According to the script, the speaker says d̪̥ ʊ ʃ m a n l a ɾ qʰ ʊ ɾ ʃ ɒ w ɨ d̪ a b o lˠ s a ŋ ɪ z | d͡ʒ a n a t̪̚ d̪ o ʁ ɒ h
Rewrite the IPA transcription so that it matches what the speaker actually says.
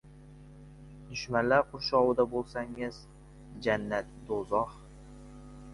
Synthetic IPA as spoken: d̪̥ ʊ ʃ m a n l a ɾ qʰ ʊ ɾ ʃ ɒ w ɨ d̪ a b o lˠ s a ŋ ɪ z | d͡ʒ a nː a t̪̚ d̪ o z ɒ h